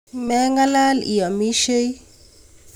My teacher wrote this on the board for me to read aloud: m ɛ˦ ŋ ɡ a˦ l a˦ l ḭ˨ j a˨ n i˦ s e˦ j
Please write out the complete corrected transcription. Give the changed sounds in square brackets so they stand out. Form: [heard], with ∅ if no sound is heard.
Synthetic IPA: m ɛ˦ ŋ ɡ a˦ l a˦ l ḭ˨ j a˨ [m] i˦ [ʃ] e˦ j